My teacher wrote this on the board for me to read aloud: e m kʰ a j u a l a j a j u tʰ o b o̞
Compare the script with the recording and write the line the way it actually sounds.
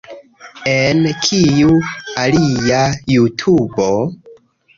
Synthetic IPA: e n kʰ i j u a l i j a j u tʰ u b o̞